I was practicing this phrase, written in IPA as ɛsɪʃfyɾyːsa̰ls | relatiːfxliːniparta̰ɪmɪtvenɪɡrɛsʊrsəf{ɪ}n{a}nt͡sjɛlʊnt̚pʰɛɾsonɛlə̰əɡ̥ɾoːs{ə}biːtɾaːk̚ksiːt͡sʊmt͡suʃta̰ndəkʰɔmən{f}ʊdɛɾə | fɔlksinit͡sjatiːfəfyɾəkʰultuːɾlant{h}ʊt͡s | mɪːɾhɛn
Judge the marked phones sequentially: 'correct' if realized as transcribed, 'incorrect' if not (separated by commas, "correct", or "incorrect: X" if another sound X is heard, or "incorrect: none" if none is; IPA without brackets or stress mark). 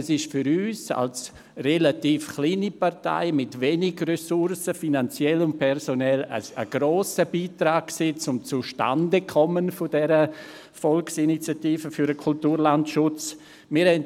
incorrect: i, correct, correct, correct, incorrect: ʃ